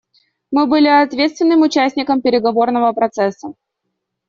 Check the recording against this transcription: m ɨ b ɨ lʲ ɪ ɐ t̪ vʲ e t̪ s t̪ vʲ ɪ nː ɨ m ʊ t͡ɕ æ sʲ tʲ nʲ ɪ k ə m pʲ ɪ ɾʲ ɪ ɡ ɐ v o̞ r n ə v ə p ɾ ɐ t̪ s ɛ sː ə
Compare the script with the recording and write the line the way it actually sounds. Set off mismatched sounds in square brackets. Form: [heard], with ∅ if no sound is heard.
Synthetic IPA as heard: m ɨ b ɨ lʲ ɪ ɐ t̪ vʲ e t̪ s t̪ vʲ ɪ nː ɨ m ʊ t͡ɕ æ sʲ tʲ nʲ ɪ k ə m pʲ ɪ ɾʲ ɪ ɡ ɐ v o̞ r n ə v ə p ɾ ɐ t̪ s ɛ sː ə